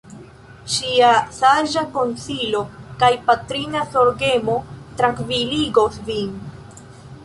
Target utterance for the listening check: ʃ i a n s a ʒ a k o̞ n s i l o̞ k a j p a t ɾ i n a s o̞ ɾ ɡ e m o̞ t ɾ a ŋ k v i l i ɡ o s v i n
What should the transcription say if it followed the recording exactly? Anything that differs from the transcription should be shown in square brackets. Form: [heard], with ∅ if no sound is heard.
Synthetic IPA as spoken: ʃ i a [∅] s a ʒ a k o̞ n s i l o̞ k a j p a t ɾ i n a s o̞ ɾ ɡ e m o̞ t ɾ a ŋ k v i l i ɡ o s v i n